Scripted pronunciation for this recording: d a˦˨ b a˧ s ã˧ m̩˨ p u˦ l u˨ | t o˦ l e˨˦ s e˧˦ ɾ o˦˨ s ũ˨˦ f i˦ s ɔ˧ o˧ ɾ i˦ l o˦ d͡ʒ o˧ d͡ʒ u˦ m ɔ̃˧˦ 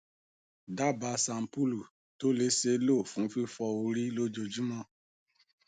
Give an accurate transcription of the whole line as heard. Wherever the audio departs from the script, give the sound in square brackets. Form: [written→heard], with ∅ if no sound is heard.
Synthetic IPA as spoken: d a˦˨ b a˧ s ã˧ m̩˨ p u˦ l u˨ | t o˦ l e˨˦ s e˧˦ [ɾ→l] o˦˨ [s→f] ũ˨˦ f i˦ [s→f] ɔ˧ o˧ ɾ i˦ l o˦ d͡ʒ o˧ d͡ʒ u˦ m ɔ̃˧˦